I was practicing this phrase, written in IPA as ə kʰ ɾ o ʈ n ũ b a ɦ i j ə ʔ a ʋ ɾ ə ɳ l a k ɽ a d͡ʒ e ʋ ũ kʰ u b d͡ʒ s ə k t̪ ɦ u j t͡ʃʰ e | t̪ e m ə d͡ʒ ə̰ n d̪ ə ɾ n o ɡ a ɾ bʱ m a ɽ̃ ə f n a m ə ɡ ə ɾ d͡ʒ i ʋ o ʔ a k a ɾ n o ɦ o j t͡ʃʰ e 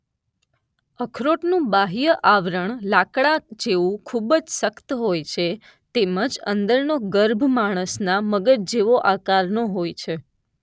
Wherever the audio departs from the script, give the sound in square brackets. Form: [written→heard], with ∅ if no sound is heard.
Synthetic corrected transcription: ə kʰ ɾ o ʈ n ũ b a ɦ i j ə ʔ a ʋ ɾ ə ɳ l a k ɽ a d͡ʒ e ʋ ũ kʰ u b d͡ʒ s ə k t̪ ɦ [u→o] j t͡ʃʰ e | t̪ e m ə d͡ʒ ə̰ n d̪ ə ɾ n o ɡ [a→ə] ɾ bʱ m a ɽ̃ ə [f→s] n a m ə ɡ ə ɾ d͡ʒ [i→e] ʋ o ʔ a k a ɾ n o ɦ o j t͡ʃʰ e